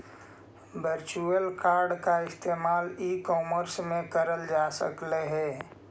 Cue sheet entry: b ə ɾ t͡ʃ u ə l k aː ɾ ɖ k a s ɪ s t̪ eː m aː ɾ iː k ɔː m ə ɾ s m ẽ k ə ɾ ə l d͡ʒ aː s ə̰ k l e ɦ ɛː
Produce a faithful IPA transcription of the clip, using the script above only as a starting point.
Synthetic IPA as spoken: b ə ɾ t͡ʃ u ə l k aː ɾ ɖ k a ɪ s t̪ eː m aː l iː k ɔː m ə ɾ s m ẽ k ə ɾ ə l d͡ʒ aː s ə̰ k l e ɦ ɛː